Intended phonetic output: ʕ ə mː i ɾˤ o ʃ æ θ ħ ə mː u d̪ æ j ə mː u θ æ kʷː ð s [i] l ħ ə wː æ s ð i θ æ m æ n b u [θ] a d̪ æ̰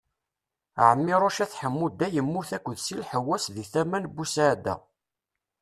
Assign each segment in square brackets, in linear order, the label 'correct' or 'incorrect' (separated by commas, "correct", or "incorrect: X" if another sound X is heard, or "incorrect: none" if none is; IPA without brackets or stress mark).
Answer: correct, incorrect: s